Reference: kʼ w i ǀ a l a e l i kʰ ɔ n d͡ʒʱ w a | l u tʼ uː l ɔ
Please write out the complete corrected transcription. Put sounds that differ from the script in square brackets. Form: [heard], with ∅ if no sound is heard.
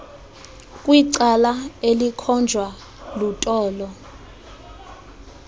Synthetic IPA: kʼ w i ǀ a l a e l i kʰ ɔ n d͡ʒʱ w a | l u tʼ [ɔː] l ɔ